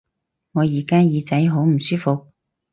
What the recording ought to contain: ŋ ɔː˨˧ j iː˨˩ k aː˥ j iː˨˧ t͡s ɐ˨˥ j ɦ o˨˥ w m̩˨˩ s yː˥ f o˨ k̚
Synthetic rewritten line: ŋ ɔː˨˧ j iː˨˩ k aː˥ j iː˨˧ t͡s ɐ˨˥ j ɦ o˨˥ w m̩˨˩ s yː˥ f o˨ k̚